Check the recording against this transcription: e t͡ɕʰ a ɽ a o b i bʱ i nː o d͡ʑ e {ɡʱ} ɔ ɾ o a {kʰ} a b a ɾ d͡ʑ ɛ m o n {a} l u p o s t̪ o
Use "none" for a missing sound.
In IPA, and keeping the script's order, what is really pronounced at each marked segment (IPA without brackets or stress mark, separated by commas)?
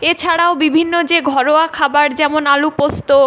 ɡʱ, kʰ, a